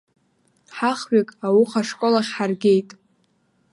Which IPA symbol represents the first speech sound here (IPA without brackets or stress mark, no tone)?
ħ